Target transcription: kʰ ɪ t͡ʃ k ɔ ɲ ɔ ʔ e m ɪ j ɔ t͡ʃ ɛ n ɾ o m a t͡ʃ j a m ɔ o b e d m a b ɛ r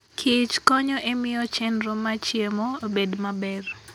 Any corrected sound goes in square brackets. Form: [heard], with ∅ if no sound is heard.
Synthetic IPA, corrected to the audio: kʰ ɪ t͡ʃ k ɔ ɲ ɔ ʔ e m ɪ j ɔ t͡ʃ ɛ n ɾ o m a t͡ʃ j [e] m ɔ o b e d m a b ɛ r